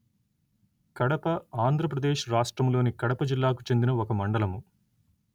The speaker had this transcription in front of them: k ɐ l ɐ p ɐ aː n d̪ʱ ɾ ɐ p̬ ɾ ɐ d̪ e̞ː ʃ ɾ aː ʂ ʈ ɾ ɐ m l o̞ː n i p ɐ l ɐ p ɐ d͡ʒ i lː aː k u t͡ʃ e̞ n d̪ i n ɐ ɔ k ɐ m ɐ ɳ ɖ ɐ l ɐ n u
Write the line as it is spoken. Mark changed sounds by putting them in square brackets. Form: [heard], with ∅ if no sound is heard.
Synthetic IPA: k ɐ [ɽ] ɐ p ɐ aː n d̪ʱ ɾ ɐ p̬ ɾ ɐ d̪ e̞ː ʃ ɾ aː ʂ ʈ ɾ ɐ m l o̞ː n i [k] ɐ [ɽ] ɐ p ɐ d͡ʒ i lː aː k u t͡ʃ e̞ n d̪ i n ɐ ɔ k ɐ m ɐ ɳ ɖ ɐ l ɐ [m] u

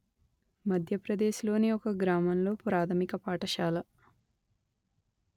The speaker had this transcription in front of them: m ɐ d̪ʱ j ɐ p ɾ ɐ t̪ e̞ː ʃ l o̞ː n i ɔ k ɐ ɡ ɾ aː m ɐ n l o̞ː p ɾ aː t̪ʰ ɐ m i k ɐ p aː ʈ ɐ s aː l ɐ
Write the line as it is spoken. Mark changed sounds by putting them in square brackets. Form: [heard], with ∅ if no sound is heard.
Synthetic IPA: m ɐ d̪ʱ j ɐ p ɾ ɐ [d̪] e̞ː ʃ l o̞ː n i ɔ k ɐ ɡ ɾ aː m ɐ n l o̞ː p ɾ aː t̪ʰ ɐ m i k ɐ p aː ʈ ɐ [ʃ] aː l ɐ

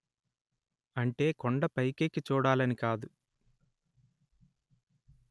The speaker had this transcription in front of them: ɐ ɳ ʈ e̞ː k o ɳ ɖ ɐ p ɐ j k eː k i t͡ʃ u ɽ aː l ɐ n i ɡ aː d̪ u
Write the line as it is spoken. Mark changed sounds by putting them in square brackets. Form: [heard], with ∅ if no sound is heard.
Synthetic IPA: ɐ ɳ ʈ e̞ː k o ɳ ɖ ɐ p ɐ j k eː k i t͡ʃ [uː] ɽ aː l ɐ n i [k] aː d̪ u

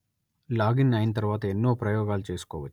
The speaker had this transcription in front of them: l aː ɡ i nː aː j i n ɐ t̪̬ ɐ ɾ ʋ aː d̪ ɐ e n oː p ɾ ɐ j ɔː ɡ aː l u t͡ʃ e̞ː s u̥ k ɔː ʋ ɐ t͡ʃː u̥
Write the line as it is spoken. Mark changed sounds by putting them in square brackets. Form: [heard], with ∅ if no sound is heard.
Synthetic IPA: l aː ɡ i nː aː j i n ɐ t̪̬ ɐ ɾ ʋ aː [t̪] ɐ e [nː] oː p ɾ ɐ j ɔː ɡ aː l u t͡ʃ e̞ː s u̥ k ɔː ʋ ɐ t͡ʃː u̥

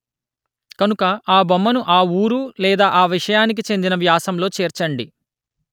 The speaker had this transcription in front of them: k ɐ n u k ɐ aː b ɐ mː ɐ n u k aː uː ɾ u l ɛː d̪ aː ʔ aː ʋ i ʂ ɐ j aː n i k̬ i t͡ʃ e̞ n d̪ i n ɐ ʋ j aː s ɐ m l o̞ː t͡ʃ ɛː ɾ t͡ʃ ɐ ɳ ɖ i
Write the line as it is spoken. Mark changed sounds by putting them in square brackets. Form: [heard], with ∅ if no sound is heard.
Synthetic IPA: k ɐ n u k ɐ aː b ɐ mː ɐ n u [ʔ] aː uː ɾ u l ɛː d̪ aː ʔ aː ʋ i ʂ ɐ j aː n i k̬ i t͡ʃ e̞ n d̪ i n ɐ ʋ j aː s ɐ m l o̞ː t͡ʃ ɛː ɾ t͡ʃ ɐ ɳ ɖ i

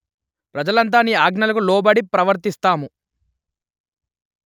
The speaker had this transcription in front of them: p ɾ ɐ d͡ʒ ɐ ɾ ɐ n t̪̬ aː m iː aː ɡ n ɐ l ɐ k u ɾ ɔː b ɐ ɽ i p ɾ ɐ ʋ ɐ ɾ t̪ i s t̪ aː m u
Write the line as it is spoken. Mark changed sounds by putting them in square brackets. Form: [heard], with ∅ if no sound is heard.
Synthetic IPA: p ɾ ɐ d͡ʒ ɐ [l] ɐ n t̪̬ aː [n] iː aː ɡ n ɐ l ɐ k u [l] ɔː b ɐ ɽ i p ɾ ɐ ʋ ɐ ɾ t̪ i s t̪ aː m u

